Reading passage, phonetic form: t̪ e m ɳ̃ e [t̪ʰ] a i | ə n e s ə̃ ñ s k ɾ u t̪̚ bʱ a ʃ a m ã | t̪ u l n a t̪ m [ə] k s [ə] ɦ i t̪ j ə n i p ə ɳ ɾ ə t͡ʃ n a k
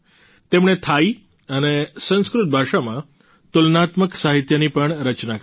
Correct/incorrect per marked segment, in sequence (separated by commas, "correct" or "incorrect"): correct, correct, incorrect